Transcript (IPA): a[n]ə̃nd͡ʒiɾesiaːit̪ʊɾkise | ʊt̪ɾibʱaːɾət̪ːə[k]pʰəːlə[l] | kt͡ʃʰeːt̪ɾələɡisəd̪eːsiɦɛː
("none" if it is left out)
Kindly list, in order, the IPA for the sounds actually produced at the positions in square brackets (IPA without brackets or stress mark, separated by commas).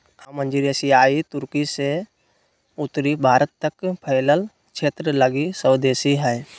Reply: m, k, l